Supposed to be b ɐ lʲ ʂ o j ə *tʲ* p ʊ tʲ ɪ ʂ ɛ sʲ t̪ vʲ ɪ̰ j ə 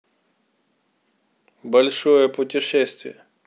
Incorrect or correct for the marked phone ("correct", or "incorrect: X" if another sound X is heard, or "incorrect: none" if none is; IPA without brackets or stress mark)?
incorrect: none